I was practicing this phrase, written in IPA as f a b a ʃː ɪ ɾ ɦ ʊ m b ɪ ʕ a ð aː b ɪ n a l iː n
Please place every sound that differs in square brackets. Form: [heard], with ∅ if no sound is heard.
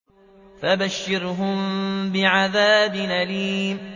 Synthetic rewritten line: f a b a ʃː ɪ ɾ ɦ ʊ m b ɪ ʕ a ð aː b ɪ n a l iː [m]